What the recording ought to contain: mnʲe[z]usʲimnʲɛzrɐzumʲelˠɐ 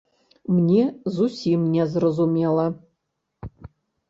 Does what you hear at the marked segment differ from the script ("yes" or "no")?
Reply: no